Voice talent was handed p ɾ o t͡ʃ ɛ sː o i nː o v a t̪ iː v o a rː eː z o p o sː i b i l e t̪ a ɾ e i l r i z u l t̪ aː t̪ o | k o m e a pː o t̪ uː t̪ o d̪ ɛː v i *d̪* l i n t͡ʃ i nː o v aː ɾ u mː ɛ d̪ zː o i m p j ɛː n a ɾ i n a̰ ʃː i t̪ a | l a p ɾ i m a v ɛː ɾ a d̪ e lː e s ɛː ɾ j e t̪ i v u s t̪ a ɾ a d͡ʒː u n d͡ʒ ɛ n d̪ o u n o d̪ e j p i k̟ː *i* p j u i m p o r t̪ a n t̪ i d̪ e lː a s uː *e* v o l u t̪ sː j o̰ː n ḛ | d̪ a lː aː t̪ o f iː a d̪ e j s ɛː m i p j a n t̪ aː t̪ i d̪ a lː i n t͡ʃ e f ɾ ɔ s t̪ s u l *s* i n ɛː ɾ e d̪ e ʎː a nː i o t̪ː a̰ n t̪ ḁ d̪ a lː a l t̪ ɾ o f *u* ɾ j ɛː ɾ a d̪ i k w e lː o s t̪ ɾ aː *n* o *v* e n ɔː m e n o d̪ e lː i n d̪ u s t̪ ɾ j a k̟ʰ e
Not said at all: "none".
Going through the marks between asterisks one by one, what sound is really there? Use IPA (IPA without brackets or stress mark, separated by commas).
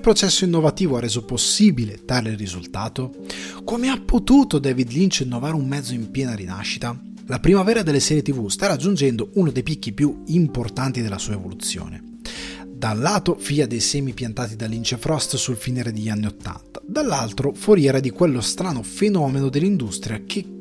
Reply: d̪, i, e, f, o, n, f